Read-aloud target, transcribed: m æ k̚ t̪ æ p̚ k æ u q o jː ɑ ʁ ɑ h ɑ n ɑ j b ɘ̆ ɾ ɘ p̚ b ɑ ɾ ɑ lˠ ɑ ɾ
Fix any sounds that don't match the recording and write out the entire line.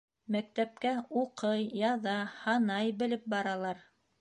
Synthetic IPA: m æ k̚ t̪ æ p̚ k æ u q ɤ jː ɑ ð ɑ h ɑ n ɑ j b ɘ̆ l ɘ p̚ b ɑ ɾ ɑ lˠ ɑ ɾ